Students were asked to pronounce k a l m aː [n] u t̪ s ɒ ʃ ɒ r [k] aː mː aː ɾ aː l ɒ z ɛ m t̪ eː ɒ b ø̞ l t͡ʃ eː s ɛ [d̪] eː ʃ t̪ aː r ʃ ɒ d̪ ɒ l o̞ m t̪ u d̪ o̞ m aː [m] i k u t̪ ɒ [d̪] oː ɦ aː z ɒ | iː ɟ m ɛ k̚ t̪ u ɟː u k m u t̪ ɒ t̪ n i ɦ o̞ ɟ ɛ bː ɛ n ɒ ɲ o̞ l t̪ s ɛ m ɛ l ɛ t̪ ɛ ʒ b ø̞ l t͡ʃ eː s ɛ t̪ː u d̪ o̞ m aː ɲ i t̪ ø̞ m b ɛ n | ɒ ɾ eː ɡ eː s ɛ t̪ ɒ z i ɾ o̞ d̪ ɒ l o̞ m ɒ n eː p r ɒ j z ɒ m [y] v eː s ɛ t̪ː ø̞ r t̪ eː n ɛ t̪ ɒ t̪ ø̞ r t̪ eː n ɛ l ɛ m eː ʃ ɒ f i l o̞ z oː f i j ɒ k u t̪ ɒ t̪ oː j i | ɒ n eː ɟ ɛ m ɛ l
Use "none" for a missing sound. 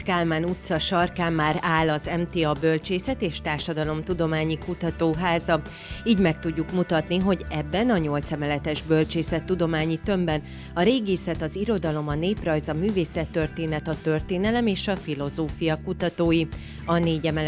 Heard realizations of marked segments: n, k, t̪, ɲ, t̪, yː

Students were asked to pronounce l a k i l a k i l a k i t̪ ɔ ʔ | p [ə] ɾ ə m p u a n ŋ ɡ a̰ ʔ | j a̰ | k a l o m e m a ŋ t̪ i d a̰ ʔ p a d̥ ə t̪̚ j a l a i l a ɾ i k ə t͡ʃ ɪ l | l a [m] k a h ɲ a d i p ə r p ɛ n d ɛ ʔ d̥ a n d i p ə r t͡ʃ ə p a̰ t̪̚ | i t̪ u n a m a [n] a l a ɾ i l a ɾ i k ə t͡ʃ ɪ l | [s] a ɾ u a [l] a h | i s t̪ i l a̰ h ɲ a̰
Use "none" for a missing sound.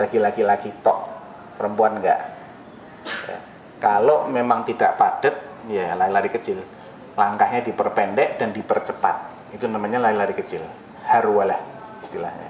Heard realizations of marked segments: ə, ŋ, ɲ, h, l

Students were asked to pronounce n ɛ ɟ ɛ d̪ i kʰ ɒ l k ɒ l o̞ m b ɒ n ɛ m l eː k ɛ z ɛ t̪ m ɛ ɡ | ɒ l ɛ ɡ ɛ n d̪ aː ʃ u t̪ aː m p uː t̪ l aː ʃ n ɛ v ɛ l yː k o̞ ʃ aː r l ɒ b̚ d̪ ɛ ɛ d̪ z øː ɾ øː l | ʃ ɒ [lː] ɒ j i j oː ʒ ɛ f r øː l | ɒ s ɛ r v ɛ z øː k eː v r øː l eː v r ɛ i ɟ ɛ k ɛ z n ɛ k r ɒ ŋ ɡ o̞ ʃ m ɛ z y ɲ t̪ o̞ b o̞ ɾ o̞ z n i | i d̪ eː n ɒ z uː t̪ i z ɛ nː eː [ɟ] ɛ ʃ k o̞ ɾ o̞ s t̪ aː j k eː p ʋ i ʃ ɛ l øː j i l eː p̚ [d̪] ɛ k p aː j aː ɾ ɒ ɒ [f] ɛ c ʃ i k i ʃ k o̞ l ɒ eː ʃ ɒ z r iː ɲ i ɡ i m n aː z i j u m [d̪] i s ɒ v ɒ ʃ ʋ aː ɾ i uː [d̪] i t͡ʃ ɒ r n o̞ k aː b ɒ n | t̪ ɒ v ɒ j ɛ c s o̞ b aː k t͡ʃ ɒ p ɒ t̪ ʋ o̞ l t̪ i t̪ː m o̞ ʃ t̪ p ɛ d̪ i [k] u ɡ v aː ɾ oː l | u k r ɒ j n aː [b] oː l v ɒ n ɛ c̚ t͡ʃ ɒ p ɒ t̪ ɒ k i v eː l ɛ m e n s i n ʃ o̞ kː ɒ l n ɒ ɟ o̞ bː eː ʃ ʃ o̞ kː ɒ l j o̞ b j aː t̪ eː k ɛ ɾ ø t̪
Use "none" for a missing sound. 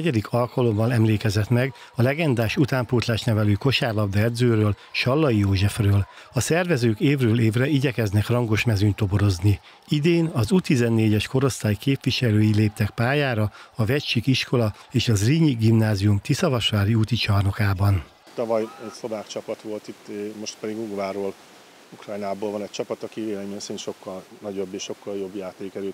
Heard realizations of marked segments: lː, ɟ, t̪, v, t̪, t̪, ɡ, b

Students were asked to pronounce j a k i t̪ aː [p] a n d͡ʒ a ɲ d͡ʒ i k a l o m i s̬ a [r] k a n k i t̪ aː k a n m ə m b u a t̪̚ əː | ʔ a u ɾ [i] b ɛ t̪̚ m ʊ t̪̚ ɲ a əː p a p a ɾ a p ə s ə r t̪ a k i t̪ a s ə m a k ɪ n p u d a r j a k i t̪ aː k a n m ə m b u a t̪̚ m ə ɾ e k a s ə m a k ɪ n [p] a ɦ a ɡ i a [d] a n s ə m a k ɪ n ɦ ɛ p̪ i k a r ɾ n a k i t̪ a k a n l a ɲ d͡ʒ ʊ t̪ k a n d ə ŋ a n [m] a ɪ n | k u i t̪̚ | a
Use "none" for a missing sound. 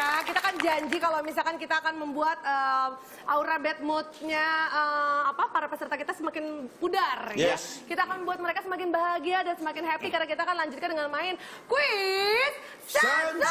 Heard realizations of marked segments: k, l, a, b, d, m

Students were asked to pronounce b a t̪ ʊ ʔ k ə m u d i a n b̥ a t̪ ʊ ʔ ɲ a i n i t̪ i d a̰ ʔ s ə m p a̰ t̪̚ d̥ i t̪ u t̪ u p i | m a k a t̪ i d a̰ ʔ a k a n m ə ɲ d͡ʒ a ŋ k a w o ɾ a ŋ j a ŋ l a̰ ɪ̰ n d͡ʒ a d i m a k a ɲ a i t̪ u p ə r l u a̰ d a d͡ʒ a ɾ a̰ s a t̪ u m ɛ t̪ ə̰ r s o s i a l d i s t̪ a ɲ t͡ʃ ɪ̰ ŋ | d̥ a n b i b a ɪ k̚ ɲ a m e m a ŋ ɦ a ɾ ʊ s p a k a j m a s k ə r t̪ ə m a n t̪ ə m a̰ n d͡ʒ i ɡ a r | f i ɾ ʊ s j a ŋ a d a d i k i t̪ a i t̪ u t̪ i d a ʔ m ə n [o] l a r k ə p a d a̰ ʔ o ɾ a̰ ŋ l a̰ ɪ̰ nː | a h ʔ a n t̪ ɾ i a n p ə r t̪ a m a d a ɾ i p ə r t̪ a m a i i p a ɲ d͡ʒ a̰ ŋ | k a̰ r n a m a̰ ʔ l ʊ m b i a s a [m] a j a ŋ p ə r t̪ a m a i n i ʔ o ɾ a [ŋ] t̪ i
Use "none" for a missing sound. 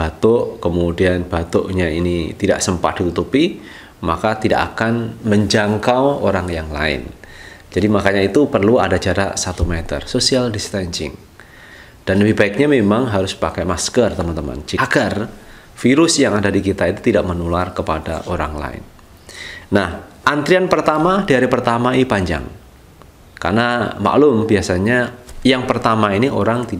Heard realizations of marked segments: u, ɲ, ŋ

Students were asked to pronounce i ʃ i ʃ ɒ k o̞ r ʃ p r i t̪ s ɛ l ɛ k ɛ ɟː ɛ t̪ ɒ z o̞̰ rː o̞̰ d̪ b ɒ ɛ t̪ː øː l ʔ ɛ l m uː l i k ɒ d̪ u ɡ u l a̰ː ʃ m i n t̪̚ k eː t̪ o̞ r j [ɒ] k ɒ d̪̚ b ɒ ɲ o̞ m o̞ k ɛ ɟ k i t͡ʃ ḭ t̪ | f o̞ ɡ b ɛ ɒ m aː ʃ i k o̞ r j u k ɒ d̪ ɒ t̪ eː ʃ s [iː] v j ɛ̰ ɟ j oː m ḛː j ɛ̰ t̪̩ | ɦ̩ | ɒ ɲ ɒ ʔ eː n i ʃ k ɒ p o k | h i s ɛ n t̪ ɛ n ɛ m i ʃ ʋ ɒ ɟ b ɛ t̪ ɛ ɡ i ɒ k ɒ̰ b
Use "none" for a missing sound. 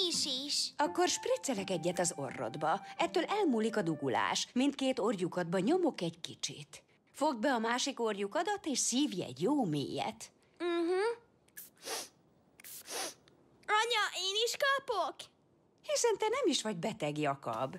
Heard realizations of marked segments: u, iː

